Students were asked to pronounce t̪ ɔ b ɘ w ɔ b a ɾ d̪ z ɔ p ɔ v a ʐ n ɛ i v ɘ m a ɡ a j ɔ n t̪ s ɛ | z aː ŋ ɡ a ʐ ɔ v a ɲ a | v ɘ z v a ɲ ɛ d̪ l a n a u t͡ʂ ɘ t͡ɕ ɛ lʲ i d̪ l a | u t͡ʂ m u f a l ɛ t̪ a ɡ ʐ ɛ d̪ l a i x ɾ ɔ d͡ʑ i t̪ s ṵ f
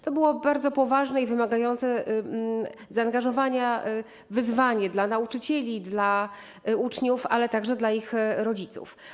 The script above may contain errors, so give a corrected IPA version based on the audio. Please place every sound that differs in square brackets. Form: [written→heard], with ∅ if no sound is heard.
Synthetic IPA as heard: t̪ ɔ b ɘ w ɔ b a ɾ d̪ z ɔ p ɔ v a ʐ n ɛ i v ɘ m a ɡ a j ɔ n t̪ s ɛ | z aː ŋ ɡ a ʐ ɔ v a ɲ a | v ɘ z v a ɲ ɛ d̪ l a n a u t͡ʂ ɘ t͡ɕ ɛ lʲ i d̪ l a | u t͡ʂ [m→ɲ] u f a l ɛ t̪ a ɡ ʐ ɛ d̪ l a i x ɾ ɔ d͡ʑ i t̪ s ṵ f